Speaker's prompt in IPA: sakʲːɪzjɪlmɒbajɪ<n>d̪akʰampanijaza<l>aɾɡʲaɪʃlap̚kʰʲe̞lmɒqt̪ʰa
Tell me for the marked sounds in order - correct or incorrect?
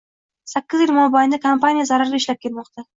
correct, incorrect: ɾ

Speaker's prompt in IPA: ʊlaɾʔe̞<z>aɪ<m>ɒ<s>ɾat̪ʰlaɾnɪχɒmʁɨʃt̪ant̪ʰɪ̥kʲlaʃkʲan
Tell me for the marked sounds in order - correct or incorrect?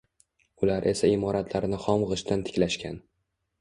incorrect: s, correct, incorrect: none

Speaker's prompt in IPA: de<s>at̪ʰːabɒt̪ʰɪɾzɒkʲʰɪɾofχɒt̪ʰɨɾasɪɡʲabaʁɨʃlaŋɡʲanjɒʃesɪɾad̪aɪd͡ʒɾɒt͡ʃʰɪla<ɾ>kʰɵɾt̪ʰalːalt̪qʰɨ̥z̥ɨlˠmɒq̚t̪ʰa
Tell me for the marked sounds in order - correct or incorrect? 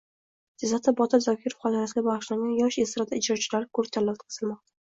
incorrect: z, correct

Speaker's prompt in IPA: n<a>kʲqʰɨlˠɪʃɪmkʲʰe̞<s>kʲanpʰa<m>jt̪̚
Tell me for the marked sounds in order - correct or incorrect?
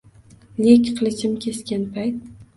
incorrect: e, correct, incorrect: none

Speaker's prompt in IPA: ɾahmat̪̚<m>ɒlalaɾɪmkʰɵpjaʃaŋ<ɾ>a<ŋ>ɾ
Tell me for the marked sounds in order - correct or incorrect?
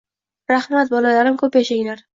incorrect: b, incorrect: l, incorrect: none

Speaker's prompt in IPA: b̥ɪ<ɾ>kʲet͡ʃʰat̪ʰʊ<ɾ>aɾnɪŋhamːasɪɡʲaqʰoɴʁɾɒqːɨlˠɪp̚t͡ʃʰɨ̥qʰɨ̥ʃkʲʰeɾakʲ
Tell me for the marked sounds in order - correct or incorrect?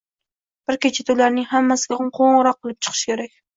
correct, incorrect: l

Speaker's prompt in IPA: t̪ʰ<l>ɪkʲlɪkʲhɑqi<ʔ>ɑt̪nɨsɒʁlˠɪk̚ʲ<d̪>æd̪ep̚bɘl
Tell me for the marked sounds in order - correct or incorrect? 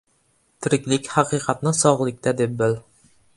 incorrect: ɾ, incorrect: q, incorrect: t̪

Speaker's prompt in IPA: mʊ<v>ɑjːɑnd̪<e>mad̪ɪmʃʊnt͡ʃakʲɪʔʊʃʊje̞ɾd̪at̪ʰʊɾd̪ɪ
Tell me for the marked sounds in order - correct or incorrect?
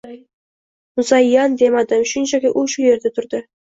incorrect: z, correct

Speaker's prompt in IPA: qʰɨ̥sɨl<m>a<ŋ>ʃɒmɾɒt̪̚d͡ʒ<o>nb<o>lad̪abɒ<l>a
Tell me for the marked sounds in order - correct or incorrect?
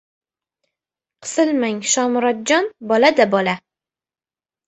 correct, correct, incorrect: ɒ, incorrect: ɒ, correct

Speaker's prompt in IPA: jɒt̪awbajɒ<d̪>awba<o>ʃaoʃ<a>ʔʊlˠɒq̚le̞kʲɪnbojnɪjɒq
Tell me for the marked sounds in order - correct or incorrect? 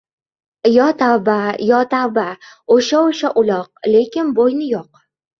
incorrect: t̪, correct, correct

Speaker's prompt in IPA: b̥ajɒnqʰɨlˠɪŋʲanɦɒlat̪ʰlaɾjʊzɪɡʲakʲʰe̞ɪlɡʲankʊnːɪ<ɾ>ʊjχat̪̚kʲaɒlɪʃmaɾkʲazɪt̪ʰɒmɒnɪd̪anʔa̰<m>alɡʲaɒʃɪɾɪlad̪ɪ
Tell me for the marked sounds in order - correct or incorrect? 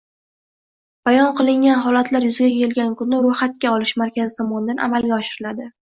correct, correct

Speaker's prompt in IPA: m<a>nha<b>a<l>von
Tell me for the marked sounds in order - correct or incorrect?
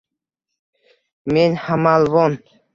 incorrect: e, incorrect: m, correct

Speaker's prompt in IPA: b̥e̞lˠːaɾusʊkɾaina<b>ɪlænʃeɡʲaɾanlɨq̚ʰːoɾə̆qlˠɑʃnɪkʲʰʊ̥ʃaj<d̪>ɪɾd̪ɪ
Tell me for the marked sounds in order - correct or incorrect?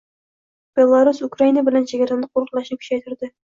correct, incorrect: t̪

